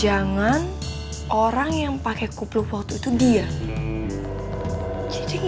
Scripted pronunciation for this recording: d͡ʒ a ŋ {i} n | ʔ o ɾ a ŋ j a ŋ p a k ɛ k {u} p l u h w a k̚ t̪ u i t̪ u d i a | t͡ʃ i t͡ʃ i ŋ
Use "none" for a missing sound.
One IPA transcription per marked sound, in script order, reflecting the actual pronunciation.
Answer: a, u

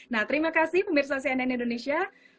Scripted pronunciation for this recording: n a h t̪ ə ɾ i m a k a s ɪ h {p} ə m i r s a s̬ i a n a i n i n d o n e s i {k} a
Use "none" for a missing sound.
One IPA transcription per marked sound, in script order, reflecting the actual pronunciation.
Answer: p, none

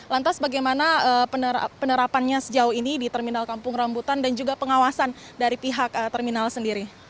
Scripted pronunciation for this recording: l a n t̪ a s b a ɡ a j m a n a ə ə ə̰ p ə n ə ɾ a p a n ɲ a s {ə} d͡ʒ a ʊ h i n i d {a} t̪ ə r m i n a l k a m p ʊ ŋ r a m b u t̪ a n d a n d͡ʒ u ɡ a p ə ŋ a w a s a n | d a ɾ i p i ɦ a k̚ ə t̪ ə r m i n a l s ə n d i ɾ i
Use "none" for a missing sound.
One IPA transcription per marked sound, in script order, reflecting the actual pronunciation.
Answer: ə, i

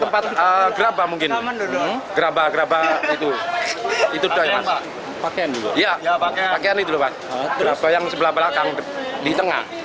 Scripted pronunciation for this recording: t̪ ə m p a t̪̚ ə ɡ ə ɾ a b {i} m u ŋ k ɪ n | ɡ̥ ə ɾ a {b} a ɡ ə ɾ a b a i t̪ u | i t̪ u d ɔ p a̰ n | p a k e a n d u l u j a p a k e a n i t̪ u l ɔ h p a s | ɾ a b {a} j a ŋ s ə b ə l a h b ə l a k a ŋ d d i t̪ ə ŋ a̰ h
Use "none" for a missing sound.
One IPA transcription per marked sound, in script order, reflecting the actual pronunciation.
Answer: a, b, a

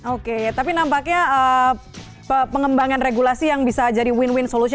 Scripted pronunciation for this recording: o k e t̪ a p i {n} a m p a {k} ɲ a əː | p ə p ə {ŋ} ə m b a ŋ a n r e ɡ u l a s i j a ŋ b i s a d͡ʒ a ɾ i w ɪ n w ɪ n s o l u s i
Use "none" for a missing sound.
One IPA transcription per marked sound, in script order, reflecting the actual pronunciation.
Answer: n, k, ŋ

